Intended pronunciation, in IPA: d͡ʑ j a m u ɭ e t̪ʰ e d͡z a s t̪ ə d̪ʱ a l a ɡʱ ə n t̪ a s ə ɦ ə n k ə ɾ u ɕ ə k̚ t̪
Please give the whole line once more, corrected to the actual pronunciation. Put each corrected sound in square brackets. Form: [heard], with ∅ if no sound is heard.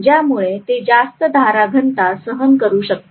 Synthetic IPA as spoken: d͡ʑ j a m u ɭ e [t̪] e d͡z a s t̪ ə d̪ʱ a [ɾ] a ɡʱ ə n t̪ a s ə ɦ ə n k ə ɾ [uː] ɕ ə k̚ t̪